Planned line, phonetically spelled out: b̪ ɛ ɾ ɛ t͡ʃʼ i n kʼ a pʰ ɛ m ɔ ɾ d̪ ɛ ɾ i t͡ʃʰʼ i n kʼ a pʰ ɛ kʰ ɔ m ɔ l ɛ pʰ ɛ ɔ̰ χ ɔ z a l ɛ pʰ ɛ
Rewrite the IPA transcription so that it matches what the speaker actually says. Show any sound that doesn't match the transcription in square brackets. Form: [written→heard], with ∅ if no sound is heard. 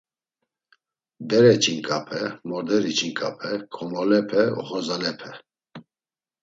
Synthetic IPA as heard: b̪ ɛ ɾ ɛ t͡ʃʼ i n kʼ a pʰ ɛ m ɔ ɾ d̪ ɛ ɾ i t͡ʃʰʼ i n kʼ a pʰ ɛ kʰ ɔ m ɔ l ɛ pʰ ɛ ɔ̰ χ ɔ z a l ɛ pʰ ɛ